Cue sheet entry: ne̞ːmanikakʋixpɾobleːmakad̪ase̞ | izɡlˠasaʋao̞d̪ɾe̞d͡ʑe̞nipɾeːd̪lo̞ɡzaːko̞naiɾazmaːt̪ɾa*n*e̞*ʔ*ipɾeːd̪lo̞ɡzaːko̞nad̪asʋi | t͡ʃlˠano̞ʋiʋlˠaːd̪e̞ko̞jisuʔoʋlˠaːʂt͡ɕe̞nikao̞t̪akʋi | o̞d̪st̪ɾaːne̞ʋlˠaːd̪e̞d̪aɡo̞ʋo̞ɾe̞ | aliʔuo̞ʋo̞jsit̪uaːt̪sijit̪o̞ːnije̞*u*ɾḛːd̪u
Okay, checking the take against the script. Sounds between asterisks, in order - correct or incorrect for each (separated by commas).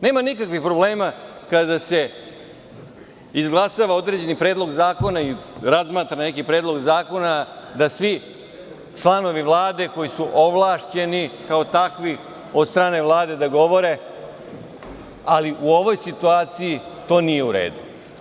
correct, incorrect, correct